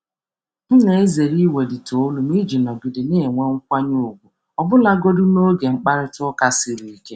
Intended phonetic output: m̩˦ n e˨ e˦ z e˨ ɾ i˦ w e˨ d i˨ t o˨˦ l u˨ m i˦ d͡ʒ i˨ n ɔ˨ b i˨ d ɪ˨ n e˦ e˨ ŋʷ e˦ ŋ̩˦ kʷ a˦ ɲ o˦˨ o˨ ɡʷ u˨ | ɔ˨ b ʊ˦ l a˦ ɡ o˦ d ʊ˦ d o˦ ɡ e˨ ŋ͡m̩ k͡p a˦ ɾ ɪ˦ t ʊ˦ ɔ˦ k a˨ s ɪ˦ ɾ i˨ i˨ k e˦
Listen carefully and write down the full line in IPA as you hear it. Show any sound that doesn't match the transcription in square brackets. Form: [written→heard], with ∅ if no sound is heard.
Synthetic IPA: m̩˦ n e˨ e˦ z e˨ ɾ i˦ w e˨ d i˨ t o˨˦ l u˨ m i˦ d͡ʒ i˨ n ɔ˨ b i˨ d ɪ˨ n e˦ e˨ ŋʷ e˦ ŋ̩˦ kʷ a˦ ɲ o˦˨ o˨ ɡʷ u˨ | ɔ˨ b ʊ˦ l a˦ ɡ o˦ d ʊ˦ [d→n] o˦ ɡ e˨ ŋ͡m̩ k͡p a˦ ɾ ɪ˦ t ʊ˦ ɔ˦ k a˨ s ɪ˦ ɾ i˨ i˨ k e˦